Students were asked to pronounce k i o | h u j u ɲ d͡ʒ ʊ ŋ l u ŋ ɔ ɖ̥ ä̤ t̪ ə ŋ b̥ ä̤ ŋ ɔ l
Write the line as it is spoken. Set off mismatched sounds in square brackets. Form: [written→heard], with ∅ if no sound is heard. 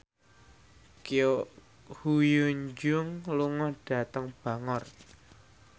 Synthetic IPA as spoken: k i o | h u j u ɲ d͡ʒ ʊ ŋ l u ŋ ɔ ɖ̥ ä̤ t̪ ə ŋ b̥ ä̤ ŋ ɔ [l→r]